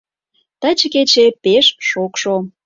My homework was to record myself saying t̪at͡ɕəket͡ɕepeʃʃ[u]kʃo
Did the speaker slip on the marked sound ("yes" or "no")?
yes